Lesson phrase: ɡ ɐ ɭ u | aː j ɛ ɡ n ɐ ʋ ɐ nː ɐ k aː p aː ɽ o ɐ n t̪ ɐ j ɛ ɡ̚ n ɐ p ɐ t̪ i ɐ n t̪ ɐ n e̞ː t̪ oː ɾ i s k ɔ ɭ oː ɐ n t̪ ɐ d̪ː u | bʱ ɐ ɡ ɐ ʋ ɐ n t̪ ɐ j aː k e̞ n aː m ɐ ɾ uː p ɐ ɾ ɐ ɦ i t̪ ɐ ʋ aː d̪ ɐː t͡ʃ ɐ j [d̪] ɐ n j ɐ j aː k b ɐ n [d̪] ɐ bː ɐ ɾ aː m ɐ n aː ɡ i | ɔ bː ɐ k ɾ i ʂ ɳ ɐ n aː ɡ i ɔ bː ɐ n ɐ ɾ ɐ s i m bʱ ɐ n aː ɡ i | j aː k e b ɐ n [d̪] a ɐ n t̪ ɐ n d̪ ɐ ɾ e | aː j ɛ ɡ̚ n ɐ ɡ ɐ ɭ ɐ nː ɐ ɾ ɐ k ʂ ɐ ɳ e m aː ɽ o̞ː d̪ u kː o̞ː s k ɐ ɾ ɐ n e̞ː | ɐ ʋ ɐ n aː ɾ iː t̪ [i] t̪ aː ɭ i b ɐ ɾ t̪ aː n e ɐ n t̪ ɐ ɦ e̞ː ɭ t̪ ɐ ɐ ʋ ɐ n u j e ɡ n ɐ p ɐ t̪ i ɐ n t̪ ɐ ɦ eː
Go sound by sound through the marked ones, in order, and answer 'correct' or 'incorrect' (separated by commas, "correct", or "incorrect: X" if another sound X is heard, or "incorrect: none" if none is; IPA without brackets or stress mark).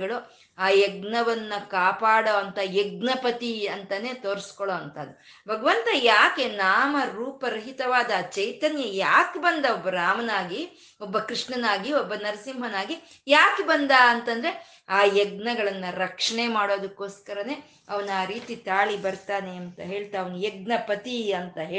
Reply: incorrect: t̪, correct, correct, correct